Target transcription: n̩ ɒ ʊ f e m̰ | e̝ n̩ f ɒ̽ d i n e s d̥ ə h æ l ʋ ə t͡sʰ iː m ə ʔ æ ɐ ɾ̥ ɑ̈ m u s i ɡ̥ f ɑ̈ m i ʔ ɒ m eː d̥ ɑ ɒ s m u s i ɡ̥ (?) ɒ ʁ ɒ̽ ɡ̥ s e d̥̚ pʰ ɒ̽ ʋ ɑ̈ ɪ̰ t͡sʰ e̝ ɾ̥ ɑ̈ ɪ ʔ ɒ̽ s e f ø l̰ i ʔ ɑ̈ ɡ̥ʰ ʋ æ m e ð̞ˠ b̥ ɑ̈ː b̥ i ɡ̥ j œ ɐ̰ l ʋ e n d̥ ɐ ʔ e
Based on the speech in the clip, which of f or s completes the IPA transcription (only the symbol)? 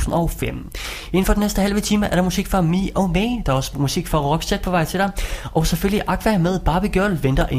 f